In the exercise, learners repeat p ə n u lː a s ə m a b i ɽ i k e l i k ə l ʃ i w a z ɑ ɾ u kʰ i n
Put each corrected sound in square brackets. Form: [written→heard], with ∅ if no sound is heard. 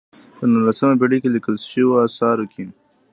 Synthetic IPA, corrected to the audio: p ə n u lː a s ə m a b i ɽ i k e l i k ə l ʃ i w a [z→s] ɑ ɾ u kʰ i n